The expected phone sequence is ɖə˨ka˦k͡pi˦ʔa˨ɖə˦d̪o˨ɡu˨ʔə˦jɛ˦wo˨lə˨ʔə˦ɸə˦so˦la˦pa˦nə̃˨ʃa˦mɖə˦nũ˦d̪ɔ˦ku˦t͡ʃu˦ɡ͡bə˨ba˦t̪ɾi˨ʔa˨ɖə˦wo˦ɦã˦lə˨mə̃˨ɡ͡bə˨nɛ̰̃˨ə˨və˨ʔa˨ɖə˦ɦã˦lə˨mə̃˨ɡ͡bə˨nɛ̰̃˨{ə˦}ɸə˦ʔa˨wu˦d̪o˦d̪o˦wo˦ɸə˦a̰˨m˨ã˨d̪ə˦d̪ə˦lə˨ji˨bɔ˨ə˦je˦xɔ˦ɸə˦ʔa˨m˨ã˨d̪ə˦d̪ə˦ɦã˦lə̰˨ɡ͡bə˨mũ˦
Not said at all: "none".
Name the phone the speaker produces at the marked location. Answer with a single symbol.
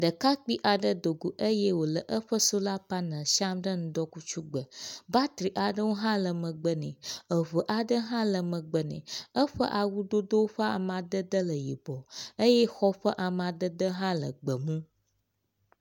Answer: ə˦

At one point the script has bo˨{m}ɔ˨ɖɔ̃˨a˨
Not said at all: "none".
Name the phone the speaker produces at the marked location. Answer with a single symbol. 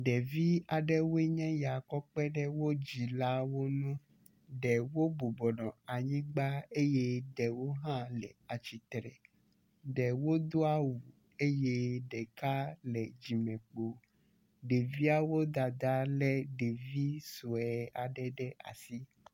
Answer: b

